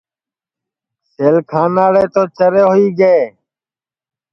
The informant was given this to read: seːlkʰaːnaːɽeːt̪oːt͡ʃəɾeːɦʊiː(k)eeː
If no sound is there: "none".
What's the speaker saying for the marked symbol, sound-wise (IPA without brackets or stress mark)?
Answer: ɡ